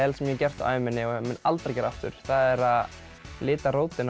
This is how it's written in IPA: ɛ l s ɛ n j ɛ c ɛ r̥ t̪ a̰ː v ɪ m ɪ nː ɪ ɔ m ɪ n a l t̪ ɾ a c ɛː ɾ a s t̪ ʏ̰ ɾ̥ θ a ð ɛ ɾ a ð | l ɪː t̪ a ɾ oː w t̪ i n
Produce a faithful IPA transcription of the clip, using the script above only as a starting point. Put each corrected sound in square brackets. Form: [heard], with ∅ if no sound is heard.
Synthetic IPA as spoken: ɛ l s ɛ [m] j ɛ c ɛ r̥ t̪ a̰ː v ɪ m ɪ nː ɪ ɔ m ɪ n a l t̪ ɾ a c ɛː ɾ a [f] t̪ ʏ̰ ɾ̥ θ a ð ɛ ɾ a ð | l ɪː t̪ a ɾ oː w t̪ [ɪ] n